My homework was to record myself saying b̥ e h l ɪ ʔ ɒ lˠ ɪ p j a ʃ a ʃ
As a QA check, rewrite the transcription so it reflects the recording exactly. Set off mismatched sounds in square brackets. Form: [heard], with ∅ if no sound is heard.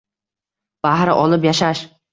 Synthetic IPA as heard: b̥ [a] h [ɾ] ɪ ʔ ɒ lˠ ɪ p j a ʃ a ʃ